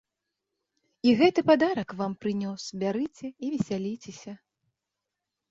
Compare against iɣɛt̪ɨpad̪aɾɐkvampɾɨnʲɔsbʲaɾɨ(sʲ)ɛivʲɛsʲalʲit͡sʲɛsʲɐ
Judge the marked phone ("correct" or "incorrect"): incorrect